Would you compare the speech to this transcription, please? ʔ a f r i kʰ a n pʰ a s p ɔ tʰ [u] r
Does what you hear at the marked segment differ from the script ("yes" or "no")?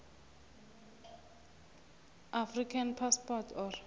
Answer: yes